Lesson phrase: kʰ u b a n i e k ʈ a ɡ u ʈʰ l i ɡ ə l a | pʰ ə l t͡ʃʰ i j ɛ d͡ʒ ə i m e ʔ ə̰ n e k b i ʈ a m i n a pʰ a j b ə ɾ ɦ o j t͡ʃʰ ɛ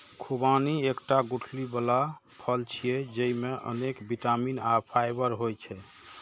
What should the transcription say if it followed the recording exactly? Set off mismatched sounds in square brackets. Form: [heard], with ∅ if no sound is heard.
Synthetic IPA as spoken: kʰ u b a n i e k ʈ a ɡ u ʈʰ l i [b] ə l a | pʰ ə l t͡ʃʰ i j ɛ d͡ʒ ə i m e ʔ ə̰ n e k b i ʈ a m i n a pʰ a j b ə ɾ ɦ o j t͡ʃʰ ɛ